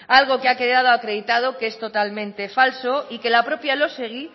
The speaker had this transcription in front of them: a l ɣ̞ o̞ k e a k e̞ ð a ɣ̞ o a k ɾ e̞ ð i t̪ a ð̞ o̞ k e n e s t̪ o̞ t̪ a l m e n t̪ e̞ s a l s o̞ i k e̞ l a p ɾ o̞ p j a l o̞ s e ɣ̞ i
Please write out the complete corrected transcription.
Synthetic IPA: a l ɣ̞ o̞ k e a k e̞ ð a ð̞ o a k ɾ e̞ ð i t̪ a ð̞ o̞ k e e s t̪ o̞ t̪ a l m ẽ n t̪ e̞ f a l s o̞ i k e̞ l a p ɾ o̞ p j a l o̞ s e ɣ̞ i